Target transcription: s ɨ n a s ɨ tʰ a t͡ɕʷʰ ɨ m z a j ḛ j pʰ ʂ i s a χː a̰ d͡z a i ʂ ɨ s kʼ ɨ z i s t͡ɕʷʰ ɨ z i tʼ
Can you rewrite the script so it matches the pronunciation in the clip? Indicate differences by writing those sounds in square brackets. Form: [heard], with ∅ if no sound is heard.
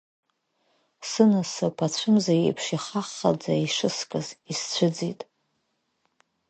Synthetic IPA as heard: s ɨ n a s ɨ [pʰ] a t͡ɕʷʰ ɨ m z a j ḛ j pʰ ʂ i [χ] a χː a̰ d͡z a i ʂ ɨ s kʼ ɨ z i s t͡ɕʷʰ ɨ [d͡z] i tʼ